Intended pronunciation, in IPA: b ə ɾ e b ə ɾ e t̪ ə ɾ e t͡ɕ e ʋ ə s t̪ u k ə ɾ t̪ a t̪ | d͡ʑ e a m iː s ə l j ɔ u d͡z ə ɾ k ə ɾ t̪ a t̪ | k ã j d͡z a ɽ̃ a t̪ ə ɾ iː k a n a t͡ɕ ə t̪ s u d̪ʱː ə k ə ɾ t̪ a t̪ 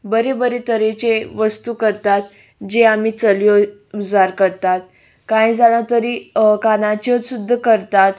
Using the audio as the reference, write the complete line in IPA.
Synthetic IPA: b ə ɾ e b ə ɾ e t̪ ə ɾ e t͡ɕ e ʋ ə s t̪ u k ə ɾ t̪ a t̪ | d͡ʑ e a m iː t͡s ə l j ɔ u d͡z a ɾ k ə ɾ t̪ a t̪ | k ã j d͡z a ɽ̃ a t̪ ə ɾ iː k a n a t͡ɕ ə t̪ s u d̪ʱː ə k ə ɾ t̪ a t̪

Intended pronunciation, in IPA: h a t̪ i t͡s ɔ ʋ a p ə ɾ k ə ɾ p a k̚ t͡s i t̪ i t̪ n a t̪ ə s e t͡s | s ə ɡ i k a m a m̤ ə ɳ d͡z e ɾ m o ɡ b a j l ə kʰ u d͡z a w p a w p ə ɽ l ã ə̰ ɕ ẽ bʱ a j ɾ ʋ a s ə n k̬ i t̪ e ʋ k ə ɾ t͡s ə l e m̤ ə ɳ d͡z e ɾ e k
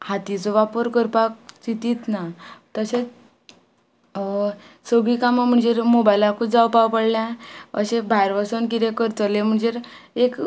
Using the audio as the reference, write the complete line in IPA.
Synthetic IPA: h a t̪ i t͡s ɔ ʋ a p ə ɾ k ə ɾ p a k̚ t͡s i t̪ i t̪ n a t̪ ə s e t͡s | s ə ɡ i k a m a m̤ ə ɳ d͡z e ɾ m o b a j l a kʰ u d͡z a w p a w p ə ɽ l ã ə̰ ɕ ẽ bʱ a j ɾ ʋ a s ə n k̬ i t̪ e k ə ɾ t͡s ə l e m̤ ə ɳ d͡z e ɾ e k

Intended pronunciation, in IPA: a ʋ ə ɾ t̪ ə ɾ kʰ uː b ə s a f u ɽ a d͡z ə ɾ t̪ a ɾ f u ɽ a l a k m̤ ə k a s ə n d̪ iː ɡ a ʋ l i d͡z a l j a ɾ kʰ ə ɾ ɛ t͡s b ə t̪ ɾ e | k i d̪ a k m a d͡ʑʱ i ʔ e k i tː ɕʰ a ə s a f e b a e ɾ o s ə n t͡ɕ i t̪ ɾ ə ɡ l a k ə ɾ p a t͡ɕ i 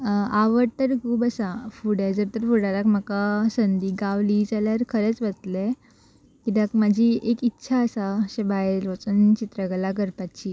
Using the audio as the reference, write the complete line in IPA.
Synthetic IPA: a ʋ ə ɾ t̪ ə ɾ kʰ uː b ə s a f u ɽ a d͡z ə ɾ t̪ ə ɾ f u ɽ a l a k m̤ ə k a s ə n d̪ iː ɡ a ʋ l i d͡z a l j a ɾ kʰ ə ɾ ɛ t͡s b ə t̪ l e | k i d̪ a k m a d͡ʑʱ i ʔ e k i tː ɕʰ a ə s a ɕ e b a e ɾ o t͡s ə n t͡ɕ i t̪ ɾ ə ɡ l a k ə ɾ p a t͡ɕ i

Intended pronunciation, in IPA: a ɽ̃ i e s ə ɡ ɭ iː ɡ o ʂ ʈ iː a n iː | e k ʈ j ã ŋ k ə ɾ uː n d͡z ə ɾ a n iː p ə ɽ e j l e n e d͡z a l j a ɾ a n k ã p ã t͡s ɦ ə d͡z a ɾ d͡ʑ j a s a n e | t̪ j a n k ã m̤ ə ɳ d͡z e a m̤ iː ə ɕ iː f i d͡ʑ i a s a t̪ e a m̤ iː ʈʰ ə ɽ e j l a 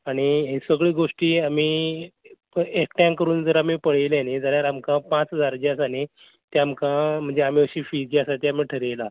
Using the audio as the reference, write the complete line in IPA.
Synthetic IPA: a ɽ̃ i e s ə ɡ ɭ iː ɡ o ʂ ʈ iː a m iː | e k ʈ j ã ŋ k ə ɾ uː n d͡z ə ɾ a m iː p ə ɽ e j l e n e d͡z a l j a ɾ a m k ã p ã t͡s ɦ ə d͡z a ɾ d͡ʑ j a s a n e | t̪ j a m k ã m̤ ə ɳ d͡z e a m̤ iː ə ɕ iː f i d͡ʑ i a s a t̪ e a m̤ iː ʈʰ ə ɾ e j l a

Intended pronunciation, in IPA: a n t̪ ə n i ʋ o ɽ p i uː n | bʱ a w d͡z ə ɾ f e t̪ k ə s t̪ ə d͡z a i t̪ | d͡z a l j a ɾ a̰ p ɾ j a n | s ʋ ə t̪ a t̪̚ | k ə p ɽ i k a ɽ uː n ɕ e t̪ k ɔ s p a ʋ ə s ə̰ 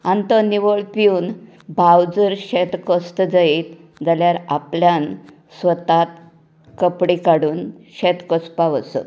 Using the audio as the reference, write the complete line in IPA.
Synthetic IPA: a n t̪ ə n i ʋ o ɭ p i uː n | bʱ a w d͡z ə ɾ ɕ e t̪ k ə s t̪ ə d͡z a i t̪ | d͡z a l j a ɾ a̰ p l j a n | s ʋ ə t̪ a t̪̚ | k ə p ɽ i k a ɽ uː n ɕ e t̪ k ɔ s p a ʋ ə s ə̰

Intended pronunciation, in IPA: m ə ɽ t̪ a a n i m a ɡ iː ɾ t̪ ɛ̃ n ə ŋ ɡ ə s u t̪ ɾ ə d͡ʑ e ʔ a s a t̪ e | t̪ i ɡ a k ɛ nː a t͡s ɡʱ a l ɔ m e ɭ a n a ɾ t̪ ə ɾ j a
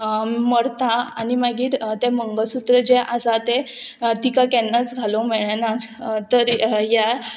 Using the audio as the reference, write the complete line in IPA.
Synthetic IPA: m ə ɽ t̪ a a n i m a ɡ iː ɾ t̪ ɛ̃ m ə ŋ ɡ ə s u t̪ ɾ ə d͡ʑ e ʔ a s a t̪ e | t̪ i k a k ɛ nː a t͡s ɡʱ a l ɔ m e ɭ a n a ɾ t̪ ə ɾ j a

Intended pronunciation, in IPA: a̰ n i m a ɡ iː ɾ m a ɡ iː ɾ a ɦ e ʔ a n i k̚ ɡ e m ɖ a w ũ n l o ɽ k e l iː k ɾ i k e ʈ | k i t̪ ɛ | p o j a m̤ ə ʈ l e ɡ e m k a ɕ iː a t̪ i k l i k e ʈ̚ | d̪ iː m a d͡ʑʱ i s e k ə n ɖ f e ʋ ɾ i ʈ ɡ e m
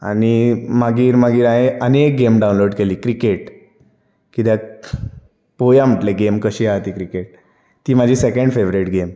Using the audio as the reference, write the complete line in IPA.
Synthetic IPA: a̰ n i m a ɡ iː ɾ m a ɡ iː ɾ a ɦ e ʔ ə n e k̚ ɡ e m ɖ a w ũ n l o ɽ k e l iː k ɾ i k e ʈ | k i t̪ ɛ | p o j a m̤ ə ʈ l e ɡ e m k ə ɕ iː a t̪ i k ɾ i k e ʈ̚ | t̪ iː m a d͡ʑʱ i s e k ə ɳ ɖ f e ʋ ɾ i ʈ ɡ e m

